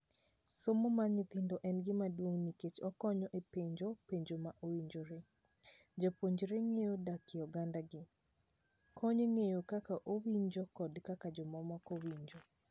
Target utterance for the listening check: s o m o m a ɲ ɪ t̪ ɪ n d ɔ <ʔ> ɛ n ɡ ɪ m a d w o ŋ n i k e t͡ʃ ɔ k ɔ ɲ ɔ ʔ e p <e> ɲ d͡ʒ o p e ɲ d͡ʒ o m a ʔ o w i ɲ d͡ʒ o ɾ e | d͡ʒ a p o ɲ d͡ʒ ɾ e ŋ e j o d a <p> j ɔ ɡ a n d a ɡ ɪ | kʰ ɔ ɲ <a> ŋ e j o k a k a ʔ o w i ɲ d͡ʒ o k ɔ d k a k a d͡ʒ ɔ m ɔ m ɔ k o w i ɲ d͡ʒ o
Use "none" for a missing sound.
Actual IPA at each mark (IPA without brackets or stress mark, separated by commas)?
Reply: ʔ, e, k, e